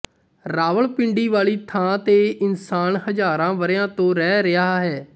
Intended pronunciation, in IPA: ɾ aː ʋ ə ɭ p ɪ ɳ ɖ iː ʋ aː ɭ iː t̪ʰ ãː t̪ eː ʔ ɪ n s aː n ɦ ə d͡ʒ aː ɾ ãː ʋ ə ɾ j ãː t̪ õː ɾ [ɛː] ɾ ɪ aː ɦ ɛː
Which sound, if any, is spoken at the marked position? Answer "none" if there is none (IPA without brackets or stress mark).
ɛː